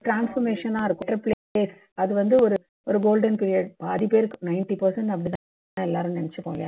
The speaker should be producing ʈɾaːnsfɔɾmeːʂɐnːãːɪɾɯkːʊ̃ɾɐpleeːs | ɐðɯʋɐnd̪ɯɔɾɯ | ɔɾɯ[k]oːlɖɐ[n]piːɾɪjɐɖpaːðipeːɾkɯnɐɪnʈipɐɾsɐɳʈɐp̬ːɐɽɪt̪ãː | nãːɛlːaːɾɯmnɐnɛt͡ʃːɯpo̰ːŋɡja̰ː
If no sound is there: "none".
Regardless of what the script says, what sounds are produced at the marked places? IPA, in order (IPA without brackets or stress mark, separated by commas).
ɡ, n